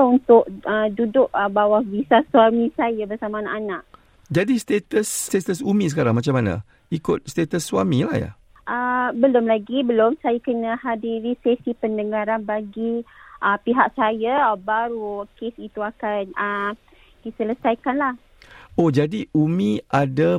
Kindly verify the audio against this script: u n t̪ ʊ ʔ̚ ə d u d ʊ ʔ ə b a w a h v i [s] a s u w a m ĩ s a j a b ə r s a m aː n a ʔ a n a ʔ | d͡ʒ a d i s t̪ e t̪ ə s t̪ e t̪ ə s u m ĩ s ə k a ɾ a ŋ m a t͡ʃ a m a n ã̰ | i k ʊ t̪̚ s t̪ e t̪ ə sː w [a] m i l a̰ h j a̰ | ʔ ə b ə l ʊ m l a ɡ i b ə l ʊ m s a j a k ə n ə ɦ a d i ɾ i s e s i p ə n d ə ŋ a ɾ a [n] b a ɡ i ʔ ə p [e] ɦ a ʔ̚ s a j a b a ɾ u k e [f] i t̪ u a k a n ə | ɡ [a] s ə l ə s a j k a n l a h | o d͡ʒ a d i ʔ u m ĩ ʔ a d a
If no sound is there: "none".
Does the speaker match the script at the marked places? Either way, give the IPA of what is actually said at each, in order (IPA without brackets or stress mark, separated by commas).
s, a, n, i, s, i